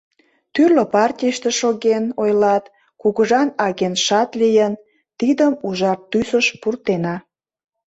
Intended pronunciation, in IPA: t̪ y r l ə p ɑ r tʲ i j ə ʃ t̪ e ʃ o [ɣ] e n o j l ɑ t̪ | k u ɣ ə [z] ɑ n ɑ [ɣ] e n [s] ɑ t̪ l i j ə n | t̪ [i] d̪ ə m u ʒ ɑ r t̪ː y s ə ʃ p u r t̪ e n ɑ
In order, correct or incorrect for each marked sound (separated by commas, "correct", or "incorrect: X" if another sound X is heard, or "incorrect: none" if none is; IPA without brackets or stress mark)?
correct, incorrect: ʒ, correct, incorrect: ʃ, correct